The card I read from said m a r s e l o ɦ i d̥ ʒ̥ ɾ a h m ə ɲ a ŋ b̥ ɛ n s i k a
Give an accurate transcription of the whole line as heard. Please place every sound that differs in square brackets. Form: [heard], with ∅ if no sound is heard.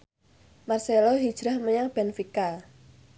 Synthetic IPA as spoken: m a r s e l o ɦ i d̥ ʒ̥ ɾ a h m ə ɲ a ŋ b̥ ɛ n [f] i k a